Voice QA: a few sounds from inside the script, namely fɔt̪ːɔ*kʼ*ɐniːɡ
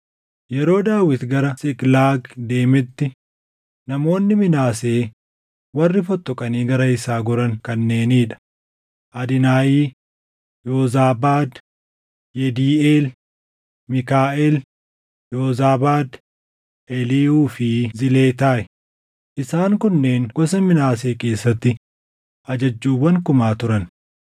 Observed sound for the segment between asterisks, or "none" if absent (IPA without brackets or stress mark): kʼ